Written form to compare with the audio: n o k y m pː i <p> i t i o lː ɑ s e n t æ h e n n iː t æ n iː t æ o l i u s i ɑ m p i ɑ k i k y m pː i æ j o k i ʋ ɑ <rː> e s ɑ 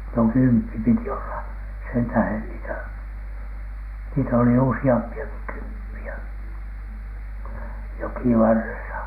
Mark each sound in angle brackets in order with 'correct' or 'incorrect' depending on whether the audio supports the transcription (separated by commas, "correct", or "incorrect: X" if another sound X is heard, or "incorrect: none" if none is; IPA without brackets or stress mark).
correct, correct